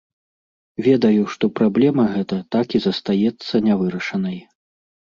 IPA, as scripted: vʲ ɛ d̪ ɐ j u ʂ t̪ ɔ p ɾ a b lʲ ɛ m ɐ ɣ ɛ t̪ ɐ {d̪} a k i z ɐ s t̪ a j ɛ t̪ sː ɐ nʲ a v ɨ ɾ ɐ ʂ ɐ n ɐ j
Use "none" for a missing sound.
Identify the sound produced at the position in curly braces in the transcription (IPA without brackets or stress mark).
t̪